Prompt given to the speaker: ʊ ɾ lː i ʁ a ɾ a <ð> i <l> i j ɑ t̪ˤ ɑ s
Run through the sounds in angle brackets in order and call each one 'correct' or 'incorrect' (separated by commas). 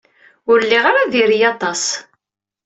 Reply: correct, incorrect